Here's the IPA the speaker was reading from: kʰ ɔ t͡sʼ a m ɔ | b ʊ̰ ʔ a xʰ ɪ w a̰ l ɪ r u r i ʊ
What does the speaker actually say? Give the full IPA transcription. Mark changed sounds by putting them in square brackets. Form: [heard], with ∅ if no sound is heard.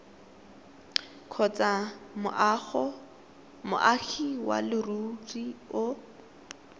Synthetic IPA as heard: kʰ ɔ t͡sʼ a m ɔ | [m] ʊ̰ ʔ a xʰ [i] w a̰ l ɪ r u r i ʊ